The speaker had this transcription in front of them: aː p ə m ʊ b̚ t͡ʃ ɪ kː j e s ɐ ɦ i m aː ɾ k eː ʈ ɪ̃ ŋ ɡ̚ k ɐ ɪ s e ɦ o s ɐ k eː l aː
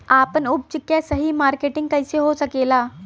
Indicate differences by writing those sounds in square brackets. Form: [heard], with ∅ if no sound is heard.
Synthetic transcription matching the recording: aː p ə [n] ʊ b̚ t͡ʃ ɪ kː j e s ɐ ɦ i m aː ɾ k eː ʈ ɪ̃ ŋ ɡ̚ k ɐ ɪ s e ɦ o s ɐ k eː l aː